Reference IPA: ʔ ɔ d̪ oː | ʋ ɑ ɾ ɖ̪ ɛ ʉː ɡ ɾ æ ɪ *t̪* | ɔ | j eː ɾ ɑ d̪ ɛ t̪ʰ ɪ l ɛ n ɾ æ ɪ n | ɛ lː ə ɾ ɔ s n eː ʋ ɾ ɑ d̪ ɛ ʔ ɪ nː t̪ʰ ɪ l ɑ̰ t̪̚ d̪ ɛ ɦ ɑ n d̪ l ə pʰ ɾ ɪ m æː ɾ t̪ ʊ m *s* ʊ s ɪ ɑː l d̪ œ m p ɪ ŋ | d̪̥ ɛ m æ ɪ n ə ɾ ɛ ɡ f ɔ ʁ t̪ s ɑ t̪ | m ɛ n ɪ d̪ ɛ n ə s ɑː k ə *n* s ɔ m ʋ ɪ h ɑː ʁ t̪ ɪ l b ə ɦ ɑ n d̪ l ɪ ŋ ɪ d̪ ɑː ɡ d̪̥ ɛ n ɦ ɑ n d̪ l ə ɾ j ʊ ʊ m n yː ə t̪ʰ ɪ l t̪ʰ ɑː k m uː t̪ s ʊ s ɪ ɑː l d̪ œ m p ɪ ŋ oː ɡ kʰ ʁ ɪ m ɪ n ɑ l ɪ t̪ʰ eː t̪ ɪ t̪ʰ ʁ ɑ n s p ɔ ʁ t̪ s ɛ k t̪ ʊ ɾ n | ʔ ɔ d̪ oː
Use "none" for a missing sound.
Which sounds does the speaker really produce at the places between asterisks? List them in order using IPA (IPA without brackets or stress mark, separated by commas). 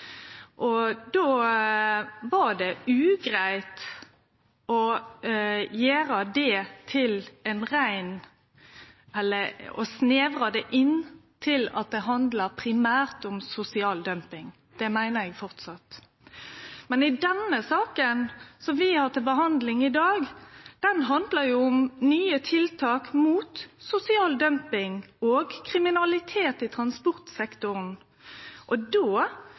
t̪, s, n